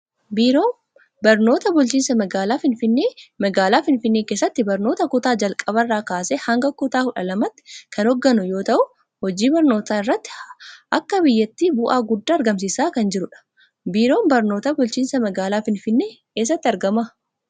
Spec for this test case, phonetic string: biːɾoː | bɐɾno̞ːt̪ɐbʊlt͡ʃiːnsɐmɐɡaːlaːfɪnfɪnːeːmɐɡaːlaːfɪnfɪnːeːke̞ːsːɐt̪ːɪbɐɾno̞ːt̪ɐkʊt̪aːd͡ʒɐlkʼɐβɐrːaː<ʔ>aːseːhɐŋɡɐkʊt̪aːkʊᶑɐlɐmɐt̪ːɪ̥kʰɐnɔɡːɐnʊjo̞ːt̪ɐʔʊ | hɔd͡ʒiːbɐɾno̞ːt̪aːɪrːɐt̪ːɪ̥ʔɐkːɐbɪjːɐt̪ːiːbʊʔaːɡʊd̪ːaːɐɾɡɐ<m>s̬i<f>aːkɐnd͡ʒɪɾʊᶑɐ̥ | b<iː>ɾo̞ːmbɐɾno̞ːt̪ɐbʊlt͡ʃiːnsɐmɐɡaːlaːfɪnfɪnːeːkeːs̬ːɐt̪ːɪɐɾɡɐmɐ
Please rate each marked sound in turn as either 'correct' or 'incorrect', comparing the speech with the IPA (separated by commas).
incorrect, correct, incorrect, correct